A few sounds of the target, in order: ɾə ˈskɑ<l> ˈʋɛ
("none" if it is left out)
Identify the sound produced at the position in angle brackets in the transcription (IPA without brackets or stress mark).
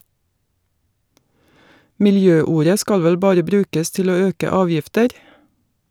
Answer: l